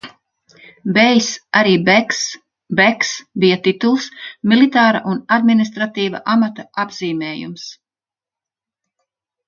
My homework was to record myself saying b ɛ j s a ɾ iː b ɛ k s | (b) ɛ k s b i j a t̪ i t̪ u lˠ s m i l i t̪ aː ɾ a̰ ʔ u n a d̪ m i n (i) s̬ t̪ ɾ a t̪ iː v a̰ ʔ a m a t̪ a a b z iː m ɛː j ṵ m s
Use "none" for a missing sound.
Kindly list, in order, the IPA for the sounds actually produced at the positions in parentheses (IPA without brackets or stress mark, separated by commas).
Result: b, i